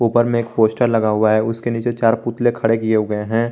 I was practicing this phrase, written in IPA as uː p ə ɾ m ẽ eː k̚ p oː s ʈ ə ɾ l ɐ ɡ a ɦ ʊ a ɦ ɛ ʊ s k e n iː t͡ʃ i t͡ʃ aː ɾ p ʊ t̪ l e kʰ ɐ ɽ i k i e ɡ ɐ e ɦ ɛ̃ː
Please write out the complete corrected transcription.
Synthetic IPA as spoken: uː p ə ɾ m ẽ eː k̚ p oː s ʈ ə ɾ l ɐ ɡ a ɦ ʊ a ɦ ɛ ʊ s k e n iː t͡ʃ e t͡ʃ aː ɾ p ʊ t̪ l e kʰ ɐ ɽ e k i e ɡ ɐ e ɦ ɛ̃ː